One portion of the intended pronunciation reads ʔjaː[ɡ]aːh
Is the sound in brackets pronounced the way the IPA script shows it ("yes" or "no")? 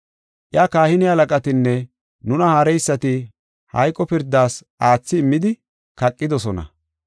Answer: no